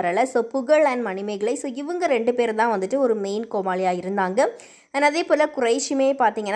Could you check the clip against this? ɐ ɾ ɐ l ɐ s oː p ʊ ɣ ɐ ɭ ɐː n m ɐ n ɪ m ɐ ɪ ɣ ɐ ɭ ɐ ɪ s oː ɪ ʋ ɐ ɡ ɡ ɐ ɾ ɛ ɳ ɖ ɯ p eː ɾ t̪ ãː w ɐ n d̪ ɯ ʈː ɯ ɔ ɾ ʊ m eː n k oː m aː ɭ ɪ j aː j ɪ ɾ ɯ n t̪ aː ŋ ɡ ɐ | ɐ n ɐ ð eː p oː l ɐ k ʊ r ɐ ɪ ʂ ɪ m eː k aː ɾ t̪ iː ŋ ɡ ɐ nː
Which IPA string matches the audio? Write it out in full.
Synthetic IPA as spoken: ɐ ɾ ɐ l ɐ s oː p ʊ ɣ ɐ ɭ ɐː n m ɐ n ɪ m ɐ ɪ ɣ ɐ ɭ ɐ ɪ s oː ɪ ʋ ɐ ŋ ɡ ɐ ɾ ɛ ɳ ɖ ɯ p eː ɾ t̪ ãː ʋ ɐ n d̪ ɯ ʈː ɯ ɔ ɾ ɯ m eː n k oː m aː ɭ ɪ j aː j ɪ ɾ ɯ n d̪ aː ŋ ɡ ɐ | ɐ n ɐ ð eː p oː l ɐ k ʊ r ɐ ɪ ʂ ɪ m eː p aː ɾ t̪ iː ŋ ɡ ɐ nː